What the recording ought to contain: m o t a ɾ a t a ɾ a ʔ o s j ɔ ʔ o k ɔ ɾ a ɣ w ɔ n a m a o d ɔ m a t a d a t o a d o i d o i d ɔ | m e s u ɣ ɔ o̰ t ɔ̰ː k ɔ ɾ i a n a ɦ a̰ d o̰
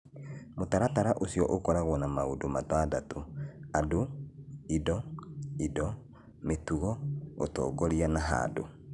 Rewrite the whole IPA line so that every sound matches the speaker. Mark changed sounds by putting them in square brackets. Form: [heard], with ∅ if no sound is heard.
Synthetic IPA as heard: m o t a ɾ a t a ɾ a ʔ o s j ɔ ʔ o k ɔ ɾ a ɣ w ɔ n a m a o d [o] m a t a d a t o a d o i d [ɔ] i d ɔ | m e [t] u ɣ ɔ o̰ t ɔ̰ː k ɔ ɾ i a n a ɦ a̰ d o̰